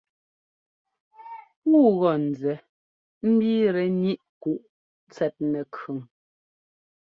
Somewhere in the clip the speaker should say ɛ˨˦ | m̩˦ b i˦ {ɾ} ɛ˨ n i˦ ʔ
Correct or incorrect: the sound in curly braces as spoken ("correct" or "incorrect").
correct